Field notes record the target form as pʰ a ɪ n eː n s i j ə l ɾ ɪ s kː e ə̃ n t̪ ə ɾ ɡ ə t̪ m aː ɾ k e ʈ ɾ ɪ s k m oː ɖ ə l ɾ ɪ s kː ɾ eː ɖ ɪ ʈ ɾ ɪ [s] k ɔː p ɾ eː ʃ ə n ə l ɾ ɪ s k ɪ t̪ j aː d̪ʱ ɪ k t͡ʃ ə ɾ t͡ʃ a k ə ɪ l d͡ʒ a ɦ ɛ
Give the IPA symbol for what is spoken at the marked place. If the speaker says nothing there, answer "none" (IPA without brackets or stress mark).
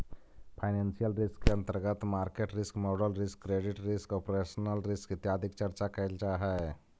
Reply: s